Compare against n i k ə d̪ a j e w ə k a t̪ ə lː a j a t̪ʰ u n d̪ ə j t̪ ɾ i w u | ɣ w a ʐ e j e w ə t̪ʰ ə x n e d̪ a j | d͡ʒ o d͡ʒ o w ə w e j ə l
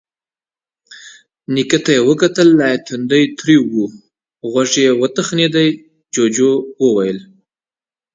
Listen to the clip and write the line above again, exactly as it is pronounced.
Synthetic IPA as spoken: n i k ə t̪ a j e w ə k a t̪ ə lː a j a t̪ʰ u n d̪ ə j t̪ ɾ i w u | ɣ w a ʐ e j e w ə t̪ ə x n e d̪ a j | d͡ʒ o d͡ʒ o w ə w a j ə l